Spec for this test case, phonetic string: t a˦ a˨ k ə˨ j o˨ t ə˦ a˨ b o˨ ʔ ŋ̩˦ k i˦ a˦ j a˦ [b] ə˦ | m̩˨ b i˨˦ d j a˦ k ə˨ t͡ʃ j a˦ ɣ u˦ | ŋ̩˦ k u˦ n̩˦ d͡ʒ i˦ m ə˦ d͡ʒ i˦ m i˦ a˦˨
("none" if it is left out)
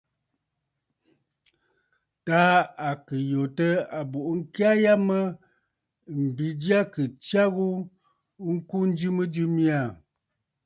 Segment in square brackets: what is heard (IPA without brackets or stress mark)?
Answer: m